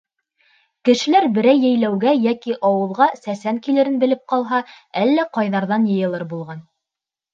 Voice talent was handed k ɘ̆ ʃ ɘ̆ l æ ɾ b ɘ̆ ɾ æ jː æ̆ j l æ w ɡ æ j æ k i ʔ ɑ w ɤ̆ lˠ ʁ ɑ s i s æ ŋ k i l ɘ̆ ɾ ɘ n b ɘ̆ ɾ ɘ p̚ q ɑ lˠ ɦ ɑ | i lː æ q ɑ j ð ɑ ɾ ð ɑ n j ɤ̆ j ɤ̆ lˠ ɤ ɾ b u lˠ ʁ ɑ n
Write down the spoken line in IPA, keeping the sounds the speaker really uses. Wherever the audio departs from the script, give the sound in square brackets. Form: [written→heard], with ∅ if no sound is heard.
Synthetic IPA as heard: k ɘ̆ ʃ ɘ̆ l æ ɾ b ɘ̆ ɾ æ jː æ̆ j l æ w ɡ æ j æ k i ʔ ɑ w ɤ̆ lˠ ʁ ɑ s [i→æ] s æ ŋ k i l ɘ̆ ɾ ɘ n b ɘ̆ [ɾ→l] ɘ p̚ q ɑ lˠ ɦ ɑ | [i→æ] lː æ q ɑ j ð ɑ ɾ ð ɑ n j ɤ̆ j ɤ̆ lˠ ɤ ɾ b u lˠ ʁ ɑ n